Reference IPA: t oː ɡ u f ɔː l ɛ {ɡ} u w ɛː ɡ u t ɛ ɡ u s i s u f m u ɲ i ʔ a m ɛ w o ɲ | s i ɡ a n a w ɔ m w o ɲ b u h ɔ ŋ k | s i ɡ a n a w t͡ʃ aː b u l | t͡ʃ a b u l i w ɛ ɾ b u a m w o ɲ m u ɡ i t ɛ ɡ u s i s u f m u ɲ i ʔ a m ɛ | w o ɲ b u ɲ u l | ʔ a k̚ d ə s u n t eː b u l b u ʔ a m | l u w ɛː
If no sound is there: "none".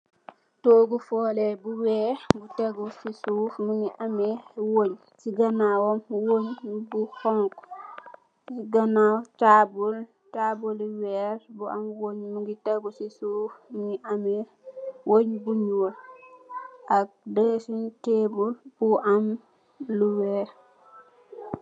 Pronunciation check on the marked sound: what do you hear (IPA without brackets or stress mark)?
b